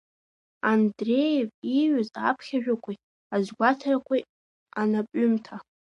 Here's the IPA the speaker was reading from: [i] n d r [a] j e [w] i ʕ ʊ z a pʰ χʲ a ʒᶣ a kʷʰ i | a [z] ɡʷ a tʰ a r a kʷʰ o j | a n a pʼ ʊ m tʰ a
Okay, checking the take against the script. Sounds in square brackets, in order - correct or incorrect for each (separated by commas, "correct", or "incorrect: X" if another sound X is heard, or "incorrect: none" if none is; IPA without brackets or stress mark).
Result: incorrect: a, incorrect: e, incorrect: v, correct